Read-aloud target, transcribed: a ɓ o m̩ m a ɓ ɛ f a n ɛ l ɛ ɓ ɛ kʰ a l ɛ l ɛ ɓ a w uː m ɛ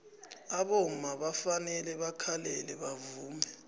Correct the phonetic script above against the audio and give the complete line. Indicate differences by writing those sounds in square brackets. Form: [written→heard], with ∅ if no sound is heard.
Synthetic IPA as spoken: a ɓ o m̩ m a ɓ [ɛ→a] f a n ɛ l ɛ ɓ [ɛ→a] kʰ a l ɛ l ɛ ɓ a [w→v] uː m ɛ